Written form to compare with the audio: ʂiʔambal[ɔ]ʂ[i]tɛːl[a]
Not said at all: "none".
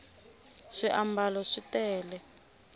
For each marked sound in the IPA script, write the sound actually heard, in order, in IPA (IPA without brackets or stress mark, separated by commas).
ɔ, i, ɛ